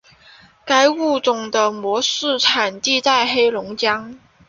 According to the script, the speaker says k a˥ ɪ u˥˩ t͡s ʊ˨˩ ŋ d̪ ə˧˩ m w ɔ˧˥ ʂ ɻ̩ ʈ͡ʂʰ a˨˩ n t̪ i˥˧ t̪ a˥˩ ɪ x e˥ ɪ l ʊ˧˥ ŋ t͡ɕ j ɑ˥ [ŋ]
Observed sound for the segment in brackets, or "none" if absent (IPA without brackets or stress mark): ŋ